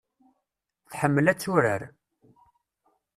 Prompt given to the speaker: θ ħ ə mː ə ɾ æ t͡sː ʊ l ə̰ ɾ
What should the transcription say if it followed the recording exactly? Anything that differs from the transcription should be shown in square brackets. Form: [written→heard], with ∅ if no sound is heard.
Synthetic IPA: θ ħ ə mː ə [ɾ→l] æ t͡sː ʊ [l→ɾ] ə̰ ɾ